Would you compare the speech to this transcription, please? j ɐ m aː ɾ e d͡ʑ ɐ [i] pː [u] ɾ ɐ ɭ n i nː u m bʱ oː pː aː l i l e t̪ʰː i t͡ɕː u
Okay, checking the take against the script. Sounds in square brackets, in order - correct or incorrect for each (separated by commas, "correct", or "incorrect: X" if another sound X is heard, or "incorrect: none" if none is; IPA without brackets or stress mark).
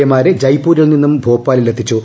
incorrect: j, incorrect: uː